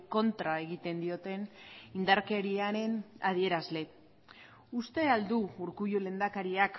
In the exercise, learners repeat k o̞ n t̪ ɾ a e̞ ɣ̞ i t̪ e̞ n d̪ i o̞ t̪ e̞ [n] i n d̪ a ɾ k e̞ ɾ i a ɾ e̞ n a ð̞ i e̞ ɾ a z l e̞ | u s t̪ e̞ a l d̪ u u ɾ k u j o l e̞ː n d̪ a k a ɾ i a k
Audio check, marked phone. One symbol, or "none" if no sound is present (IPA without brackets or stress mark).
n